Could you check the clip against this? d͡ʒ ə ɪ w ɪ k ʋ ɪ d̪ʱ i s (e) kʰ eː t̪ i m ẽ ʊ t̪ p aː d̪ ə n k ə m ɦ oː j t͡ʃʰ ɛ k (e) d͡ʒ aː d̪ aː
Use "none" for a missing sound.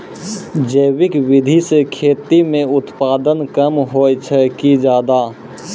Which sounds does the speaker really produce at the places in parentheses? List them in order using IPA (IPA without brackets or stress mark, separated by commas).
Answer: e, i